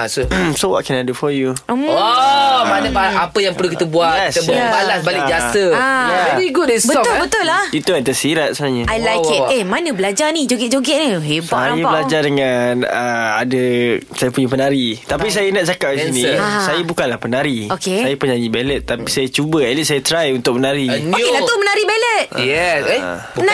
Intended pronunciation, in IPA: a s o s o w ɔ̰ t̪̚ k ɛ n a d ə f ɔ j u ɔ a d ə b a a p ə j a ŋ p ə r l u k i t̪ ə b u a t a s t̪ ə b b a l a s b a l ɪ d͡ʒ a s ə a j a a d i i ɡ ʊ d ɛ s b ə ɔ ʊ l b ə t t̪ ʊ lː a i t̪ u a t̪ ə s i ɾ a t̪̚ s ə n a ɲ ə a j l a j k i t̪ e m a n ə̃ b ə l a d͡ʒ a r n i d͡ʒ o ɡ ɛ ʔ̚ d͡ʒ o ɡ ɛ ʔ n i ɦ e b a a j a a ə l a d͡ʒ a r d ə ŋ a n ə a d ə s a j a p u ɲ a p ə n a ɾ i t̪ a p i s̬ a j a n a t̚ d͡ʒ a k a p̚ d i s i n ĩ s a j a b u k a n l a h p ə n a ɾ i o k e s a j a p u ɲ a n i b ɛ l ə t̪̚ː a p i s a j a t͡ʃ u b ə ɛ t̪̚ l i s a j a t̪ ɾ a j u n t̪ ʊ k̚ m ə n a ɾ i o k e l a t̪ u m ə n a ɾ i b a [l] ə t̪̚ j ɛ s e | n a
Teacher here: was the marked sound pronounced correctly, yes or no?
yes